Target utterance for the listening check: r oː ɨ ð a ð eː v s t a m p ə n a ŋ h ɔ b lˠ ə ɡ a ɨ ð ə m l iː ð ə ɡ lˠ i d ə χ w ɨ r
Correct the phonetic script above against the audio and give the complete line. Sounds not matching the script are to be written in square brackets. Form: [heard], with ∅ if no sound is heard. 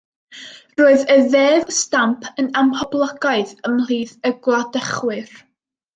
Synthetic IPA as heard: r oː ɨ ð [ə] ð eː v s t a m [pʰ] ə n a [m] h ɔ b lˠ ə ɡ a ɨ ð ə m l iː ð ə ɡ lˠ [a] d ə χ w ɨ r